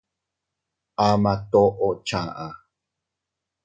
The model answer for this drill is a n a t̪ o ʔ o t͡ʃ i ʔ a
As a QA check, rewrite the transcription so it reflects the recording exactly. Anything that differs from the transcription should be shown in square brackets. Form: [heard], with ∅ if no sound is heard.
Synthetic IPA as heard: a [m] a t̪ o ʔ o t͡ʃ [a] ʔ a